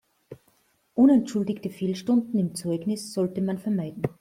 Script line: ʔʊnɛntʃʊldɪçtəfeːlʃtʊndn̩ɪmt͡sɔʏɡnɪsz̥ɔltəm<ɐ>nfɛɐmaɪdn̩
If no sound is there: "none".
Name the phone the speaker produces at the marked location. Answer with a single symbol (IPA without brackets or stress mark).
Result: a